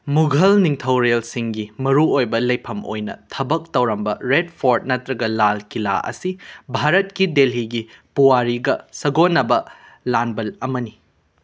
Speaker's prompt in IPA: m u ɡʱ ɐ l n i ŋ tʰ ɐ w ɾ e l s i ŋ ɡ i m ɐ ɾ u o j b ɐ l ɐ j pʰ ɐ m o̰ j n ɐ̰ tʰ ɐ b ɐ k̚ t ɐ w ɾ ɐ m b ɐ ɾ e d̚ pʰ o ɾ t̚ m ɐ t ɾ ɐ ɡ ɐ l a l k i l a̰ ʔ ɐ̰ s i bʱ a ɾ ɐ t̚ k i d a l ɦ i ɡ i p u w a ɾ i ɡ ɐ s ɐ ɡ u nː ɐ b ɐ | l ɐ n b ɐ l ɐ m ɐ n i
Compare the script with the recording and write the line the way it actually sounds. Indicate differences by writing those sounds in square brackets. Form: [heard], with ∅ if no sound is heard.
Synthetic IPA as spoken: m u ɡʱ ɐ l n i ŋ tʰ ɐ w ɾ e l s i ŋ ɡ i m ɐ ɾ u o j b ɐ l ɐ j pʰ ɐ m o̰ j n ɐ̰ tʰ ɐ b ɐ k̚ t ɐ w ɾ ɐ m b ɐ ɾ e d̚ pʰ o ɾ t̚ [n] ɐ t ɾ ɐ ɡ ɐ l a l k i l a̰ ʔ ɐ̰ s i bʱ a ɾ ɐ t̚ k i d [e] l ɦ i ɡ i p u w a ɾ i ɡ ɐ s ɐ ɡ [o] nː ɐ b ɐ | l [a] n b ɐ l ɐ m ɐ n i

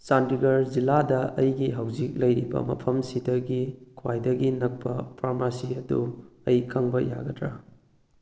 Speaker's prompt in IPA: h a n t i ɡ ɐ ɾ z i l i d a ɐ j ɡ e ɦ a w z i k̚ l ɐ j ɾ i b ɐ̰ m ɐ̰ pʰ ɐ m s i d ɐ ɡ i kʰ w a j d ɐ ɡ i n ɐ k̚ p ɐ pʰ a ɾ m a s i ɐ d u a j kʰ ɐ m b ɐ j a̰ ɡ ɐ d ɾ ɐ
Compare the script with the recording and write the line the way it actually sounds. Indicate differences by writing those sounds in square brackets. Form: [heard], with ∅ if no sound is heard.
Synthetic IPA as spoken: [s] a n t i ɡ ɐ ɾ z i l [a] d [ɐ] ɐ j ɡ [i] ɦ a w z i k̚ l ɐ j ɾ i b ɐ̰ m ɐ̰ pʰ ɐ m s i d ɐ ɡ i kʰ w a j d ɐ ɡ i n ɐ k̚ p ɐ pʰ a ɾ m a s i ɐ d u [ɐ] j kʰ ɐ [ŋ] b ɐ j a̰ ɡ ɐ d ɾ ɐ

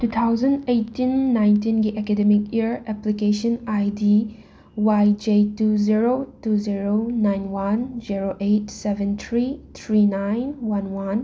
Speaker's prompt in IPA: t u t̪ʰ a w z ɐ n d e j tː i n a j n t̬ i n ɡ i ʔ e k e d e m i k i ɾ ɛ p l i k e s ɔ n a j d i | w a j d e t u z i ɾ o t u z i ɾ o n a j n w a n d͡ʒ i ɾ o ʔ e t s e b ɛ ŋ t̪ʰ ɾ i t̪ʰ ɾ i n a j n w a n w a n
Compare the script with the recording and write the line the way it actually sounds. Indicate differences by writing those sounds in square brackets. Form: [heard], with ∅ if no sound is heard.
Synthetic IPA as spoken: t u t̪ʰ a w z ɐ n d e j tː i [nː] a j n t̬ i n ɡ i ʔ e k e d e m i k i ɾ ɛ p l i k e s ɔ n a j d i | w a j [d͡ʒ] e t u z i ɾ o t u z i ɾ o n a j n w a n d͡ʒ i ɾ o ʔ e t s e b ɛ [n] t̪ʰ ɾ i t̪ʰ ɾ i n a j n w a n w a n

